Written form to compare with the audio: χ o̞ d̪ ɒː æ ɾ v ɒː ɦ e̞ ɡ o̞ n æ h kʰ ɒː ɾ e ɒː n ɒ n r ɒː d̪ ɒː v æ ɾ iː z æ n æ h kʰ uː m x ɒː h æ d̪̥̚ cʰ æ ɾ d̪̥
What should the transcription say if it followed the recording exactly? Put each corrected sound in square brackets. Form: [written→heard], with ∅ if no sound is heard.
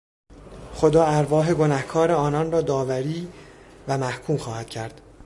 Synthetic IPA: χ o̞ d̪ ɒː æ ɾ v ɒː ɦ e̞ ɡ o̞ n æ h kʰ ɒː ɾ e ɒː n ɒ n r ɒː d̪ ɒː v æ ɾ iː [z→v] æ [n→m] æ h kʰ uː m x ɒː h æ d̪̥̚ cʰ æ ɾ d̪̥